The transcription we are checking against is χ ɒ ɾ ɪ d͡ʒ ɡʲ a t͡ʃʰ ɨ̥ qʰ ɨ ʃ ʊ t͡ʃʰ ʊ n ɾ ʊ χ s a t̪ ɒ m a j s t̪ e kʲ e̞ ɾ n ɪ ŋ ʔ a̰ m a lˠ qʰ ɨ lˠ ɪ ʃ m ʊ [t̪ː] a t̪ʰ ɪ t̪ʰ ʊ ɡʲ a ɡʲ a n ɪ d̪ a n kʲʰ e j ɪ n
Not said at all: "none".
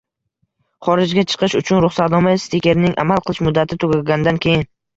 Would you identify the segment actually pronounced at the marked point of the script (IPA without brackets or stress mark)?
d̪ː